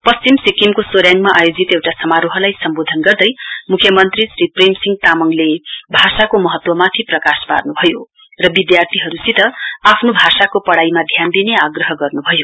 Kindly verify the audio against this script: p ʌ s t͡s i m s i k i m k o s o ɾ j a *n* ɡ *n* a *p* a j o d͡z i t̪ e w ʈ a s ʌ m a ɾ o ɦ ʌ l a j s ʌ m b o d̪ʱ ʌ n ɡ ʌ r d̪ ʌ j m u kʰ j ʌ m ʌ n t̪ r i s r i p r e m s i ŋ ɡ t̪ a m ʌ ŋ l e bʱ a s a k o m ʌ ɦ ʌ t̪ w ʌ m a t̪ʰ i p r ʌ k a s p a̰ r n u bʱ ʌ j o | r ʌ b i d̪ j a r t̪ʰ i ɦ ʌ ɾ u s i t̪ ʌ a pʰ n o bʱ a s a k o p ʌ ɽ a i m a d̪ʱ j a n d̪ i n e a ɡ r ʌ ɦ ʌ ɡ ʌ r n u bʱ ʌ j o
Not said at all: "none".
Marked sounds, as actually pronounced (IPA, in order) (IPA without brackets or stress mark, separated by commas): ŋ, m, ʔ